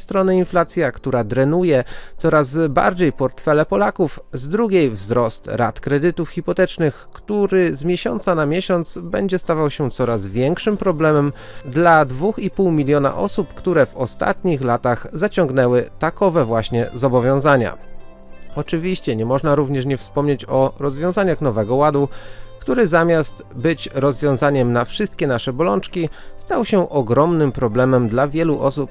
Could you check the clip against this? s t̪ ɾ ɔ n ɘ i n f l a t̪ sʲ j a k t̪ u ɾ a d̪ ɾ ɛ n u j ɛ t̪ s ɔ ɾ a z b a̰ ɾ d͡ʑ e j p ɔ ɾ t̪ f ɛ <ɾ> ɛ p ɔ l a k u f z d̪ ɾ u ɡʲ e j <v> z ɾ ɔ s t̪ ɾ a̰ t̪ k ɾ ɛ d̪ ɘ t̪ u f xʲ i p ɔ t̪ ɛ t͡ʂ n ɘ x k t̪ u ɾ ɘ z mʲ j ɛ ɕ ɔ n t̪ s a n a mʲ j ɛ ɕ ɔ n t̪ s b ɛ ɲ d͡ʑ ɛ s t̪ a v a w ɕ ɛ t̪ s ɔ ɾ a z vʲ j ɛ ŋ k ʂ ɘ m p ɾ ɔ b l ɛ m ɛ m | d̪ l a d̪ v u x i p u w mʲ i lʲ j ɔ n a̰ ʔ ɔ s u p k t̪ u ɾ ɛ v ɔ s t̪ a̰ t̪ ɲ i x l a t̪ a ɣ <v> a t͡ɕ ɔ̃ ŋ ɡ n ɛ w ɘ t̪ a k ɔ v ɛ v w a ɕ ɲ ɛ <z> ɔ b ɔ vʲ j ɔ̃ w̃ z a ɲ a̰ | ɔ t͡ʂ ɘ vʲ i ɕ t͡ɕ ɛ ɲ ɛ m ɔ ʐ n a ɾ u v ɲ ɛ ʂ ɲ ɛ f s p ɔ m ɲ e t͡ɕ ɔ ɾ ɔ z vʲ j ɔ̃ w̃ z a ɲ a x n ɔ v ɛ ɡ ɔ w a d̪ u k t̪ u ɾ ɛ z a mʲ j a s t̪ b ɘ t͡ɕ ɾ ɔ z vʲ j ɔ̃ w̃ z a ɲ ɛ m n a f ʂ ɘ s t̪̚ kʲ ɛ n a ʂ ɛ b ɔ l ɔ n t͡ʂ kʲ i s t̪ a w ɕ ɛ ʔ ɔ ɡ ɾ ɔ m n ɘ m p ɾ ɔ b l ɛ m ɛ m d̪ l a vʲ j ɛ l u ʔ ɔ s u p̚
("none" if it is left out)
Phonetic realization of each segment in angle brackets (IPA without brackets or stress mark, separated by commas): l, v, z, z